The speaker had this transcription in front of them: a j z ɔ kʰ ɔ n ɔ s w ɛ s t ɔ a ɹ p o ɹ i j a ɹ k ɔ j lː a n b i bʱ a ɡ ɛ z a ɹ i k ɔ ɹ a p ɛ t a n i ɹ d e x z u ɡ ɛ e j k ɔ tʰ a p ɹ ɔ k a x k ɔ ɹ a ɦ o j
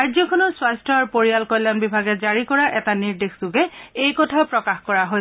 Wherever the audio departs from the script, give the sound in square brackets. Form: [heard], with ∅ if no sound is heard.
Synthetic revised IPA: a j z ɔ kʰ ɔ n ɔ s w [a] s t ɔ a ɹ p o ɹ i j a [l] k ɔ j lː a n b i bʱ a ɡ ɛ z a ɹ i k ɔ ɹ a [ʔ] ɛ t a n i ɹ d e x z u ɡ ɛ e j k ɔ tʰ a p ɹ ɔ k a x k ɔ ɹ a ɦ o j